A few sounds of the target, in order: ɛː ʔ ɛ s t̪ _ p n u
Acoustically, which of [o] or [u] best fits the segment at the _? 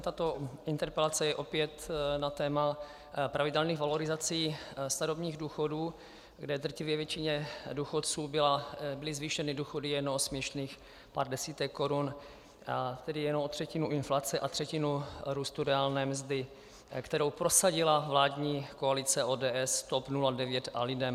o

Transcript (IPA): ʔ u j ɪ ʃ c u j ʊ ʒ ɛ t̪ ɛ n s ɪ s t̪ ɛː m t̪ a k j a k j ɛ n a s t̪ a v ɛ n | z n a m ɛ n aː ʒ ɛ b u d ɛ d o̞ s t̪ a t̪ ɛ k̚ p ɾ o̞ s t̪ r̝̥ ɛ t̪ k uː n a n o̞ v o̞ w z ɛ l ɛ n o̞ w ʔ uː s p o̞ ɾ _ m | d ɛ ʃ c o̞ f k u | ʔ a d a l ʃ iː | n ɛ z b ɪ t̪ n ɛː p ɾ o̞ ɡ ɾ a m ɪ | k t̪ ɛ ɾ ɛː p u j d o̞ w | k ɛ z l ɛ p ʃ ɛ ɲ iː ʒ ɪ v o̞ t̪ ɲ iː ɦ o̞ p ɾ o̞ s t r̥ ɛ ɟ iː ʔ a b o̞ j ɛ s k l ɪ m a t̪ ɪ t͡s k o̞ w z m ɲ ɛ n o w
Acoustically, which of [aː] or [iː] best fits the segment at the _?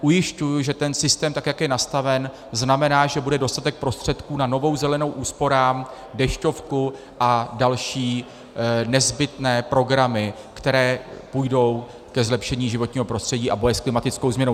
aː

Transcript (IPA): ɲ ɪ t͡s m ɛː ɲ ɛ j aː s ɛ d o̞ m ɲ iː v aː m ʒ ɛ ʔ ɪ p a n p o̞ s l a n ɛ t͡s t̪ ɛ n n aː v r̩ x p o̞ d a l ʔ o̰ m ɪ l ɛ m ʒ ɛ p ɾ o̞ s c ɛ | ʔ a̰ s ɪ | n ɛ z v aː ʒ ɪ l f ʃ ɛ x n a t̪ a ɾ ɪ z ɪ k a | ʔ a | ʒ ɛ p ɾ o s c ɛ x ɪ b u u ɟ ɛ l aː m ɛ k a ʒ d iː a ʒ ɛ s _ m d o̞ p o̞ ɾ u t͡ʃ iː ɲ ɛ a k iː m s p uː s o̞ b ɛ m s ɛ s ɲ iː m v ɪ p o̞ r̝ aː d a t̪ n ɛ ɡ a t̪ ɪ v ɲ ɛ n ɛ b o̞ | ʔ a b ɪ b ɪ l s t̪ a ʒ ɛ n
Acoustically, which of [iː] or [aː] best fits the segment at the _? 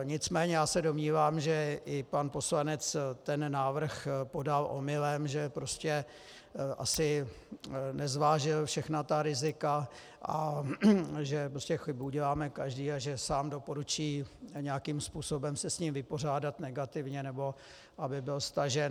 aː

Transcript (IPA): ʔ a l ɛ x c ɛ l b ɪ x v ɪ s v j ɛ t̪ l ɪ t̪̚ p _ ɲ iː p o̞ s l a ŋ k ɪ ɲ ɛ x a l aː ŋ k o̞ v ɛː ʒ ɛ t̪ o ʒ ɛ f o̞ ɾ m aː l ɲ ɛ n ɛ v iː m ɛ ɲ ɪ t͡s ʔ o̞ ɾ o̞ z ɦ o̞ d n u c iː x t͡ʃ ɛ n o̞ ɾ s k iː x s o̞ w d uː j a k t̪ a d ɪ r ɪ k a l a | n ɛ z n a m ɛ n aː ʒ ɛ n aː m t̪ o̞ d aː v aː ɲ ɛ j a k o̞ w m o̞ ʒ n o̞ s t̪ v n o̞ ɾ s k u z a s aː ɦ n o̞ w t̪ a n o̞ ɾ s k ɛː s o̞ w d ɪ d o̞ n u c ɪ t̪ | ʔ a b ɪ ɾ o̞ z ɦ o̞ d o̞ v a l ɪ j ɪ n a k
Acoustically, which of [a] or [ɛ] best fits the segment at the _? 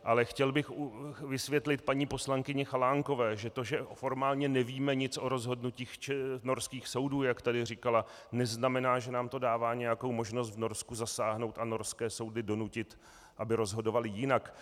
a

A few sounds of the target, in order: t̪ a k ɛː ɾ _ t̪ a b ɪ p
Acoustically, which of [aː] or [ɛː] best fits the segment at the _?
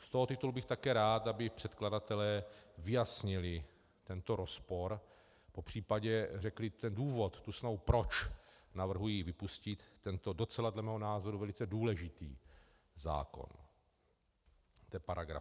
aː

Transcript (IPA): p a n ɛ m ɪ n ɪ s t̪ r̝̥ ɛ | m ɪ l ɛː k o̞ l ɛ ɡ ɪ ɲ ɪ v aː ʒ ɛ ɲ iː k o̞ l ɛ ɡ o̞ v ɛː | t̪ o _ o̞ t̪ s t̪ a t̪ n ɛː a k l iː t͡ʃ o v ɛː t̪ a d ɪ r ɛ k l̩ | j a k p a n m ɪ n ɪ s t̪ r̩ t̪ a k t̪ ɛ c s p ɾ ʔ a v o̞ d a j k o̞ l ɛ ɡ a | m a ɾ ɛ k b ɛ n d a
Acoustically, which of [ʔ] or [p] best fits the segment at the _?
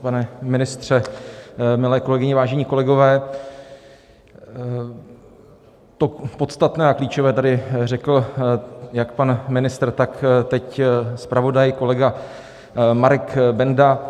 p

